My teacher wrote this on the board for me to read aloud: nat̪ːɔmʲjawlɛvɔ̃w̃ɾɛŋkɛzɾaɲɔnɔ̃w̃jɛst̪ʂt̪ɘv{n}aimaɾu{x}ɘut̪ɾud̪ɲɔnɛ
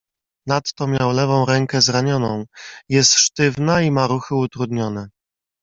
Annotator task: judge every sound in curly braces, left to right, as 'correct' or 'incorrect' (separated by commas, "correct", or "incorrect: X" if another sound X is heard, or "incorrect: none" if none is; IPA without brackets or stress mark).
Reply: correct, correct